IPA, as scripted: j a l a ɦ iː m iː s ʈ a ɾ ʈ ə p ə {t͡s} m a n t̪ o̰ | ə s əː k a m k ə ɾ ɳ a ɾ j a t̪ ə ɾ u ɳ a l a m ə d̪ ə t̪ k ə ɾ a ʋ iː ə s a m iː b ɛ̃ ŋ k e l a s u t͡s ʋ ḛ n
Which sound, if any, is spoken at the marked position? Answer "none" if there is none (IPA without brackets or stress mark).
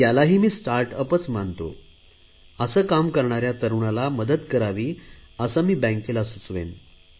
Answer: t͡s